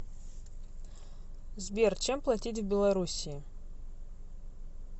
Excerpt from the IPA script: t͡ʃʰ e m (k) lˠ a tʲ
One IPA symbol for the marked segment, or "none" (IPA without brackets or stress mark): p